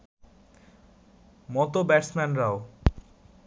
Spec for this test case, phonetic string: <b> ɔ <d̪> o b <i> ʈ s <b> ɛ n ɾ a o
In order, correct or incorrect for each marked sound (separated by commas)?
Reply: incorrect, incorrect, incorrect, incorrect